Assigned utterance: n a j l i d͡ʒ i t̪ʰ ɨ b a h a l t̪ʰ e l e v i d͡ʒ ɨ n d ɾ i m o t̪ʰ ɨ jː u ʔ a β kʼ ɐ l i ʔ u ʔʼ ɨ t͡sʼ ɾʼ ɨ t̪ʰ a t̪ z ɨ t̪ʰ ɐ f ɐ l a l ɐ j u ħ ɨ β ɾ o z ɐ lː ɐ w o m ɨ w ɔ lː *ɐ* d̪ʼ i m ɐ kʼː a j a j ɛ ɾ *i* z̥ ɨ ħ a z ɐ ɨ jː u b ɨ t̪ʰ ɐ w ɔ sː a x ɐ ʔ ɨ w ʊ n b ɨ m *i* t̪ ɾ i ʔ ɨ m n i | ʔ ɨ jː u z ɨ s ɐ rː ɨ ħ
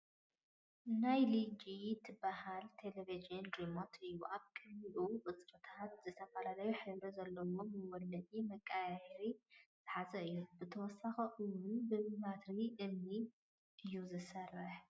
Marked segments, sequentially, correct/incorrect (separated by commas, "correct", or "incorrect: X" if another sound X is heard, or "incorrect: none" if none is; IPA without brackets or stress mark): correct, correct, incorrect: a